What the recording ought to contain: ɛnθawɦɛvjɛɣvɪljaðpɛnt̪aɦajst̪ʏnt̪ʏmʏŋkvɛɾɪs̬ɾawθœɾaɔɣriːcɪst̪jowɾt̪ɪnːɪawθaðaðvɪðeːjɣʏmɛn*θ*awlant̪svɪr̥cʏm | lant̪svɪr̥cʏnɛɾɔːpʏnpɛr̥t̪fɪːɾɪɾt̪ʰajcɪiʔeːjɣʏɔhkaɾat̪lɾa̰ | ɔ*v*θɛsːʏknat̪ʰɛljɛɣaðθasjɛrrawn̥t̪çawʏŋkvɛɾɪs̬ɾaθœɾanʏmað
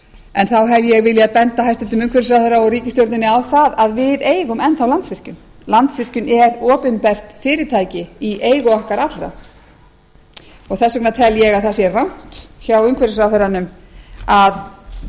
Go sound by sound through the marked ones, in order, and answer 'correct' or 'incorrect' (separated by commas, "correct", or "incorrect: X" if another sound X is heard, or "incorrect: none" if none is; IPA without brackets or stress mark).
correct, incorrect: ɣ